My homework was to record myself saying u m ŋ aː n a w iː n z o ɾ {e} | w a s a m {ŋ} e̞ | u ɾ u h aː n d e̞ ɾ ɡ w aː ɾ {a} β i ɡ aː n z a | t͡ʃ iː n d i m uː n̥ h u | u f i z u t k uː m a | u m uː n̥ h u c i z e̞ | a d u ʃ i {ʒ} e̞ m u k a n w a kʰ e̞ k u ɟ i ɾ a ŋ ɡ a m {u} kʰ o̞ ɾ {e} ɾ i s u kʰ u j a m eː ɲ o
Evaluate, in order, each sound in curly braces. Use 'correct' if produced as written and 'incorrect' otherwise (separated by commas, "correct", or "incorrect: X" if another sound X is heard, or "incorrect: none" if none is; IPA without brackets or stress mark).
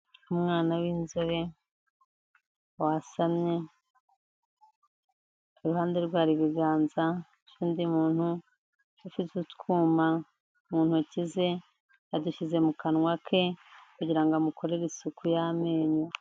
correct, incorrect: ɲ, incorrect: i, incorrect: z, correct, correct